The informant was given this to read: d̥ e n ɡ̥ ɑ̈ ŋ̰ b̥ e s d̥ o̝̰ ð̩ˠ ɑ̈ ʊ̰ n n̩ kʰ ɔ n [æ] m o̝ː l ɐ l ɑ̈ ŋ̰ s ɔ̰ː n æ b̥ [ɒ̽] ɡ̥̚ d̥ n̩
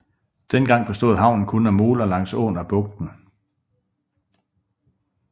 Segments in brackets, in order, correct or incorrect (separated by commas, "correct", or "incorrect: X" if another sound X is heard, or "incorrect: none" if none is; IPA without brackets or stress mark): correct, incorrect: ɔ̽